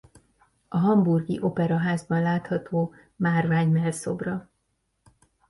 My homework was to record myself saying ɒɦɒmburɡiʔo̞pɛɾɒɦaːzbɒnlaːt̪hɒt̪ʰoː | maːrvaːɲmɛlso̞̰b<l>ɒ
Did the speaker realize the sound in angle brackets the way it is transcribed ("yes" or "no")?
no